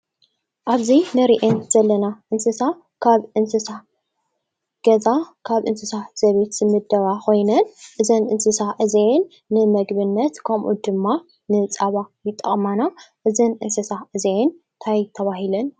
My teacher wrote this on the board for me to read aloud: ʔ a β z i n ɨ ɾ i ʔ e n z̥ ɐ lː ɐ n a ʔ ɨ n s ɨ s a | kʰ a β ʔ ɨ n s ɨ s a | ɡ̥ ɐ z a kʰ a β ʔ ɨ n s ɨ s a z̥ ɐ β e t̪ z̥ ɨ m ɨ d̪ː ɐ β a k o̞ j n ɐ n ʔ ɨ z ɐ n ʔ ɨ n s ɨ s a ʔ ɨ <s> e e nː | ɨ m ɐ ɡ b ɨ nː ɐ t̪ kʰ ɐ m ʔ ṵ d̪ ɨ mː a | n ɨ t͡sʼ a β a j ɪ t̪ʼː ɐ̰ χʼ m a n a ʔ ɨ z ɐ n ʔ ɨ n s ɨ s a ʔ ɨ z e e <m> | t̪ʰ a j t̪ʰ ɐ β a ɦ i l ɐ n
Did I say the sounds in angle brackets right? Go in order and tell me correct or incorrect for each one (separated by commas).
incorrect, incorrect